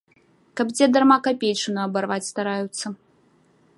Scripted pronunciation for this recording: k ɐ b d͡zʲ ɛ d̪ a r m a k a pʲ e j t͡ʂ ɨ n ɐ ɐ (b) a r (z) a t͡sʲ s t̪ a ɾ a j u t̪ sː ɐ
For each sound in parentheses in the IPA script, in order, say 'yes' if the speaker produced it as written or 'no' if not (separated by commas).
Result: yes, no